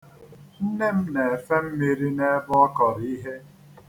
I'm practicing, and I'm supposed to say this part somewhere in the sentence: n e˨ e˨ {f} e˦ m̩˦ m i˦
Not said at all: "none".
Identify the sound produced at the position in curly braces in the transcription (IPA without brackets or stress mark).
f